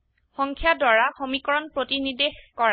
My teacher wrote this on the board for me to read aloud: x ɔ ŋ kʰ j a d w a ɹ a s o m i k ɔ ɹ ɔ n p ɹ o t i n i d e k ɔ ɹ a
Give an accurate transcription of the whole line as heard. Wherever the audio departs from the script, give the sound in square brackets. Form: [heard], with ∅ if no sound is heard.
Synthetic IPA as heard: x ɔ ŋ kʰ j a d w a ɹ a [x] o m i k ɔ ɹ ɔ n p ɹ o t i n i d e k ɔ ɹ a

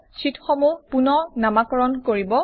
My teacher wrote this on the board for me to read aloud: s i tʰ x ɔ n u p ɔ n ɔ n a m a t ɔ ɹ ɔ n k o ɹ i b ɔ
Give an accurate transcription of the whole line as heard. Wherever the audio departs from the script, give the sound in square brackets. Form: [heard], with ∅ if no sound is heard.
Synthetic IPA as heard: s i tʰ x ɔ [m] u p [u] n ɔ n a m a [k] ɔ ɹ ɔ n k o ɹ i b ɔ

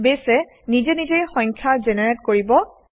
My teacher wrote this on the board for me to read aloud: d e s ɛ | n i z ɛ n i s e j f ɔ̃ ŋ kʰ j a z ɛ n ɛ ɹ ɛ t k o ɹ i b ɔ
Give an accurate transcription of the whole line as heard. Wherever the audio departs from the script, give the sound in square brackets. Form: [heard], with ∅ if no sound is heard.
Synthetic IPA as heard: [b] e s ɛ | n i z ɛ n i [z] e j [x] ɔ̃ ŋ kʰ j a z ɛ n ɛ ɹ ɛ t k o ɹ i b ɔ

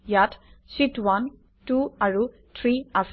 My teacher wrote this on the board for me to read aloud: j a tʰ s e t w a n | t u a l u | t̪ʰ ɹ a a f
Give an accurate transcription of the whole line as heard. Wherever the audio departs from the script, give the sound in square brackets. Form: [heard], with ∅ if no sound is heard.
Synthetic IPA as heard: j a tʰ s [i] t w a n | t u a [ɹ] u | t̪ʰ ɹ [i] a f

